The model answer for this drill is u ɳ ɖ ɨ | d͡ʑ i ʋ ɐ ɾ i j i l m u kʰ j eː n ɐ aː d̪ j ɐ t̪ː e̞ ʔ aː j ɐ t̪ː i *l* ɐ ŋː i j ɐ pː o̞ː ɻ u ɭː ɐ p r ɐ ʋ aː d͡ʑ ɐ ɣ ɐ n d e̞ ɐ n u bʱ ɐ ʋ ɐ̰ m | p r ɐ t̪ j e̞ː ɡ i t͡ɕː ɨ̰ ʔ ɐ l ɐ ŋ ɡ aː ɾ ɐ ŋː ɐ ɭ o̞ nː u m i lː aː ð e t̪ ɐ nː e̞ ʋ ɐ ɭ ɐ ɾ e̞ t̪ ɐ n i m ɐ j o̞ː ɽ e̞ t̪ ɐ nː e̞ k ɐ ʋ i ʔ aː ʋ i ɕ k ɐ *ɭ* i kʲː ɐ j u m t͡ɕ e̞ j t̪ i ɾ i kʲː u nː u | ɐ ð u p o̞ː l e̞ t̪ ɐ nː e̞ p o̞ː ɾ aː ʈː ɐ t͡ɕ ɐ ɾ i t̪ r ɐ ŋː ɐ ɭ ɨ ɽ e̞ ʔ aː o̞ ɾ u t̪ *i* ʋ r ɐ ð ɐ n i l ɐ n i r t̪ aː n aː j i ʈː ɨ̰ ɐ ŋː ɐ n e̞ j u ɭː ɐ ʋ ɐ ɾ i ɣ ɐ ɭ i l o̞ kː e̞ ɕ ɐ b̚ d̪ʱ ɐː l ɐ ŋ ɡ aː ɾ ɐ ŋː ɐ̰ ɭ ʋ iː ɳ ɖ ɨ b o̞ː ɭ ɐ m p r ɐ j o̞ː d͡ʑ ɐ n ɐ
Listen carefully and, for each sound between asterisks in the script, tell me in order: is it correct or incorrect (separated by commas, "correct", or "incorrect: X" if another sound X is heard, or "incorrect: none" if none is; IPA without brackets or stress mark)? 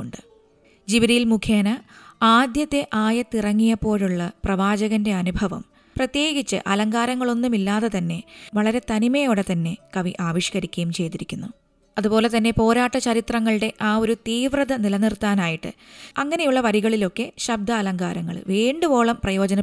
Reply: incorrect: r, incorrect: ɾ, incorrect: iː